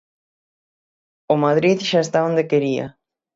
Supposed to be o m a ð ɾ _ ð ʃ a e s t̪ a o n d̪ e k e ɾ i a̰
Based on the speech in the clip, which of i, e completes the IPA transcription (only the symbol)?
i